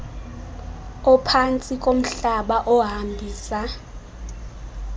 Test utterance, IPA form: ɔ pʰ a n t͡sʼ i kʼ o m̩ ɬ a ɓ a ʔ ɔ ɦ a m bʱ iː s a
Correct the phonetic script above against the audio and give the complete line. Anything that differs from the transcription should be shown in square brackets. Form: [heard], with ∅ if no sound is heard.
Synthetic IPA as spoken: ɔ pʰ a n t͡sʼ i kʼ o m̩ ɬ a ɓ a ʔ ɔ ɦ a m bʱ iː s a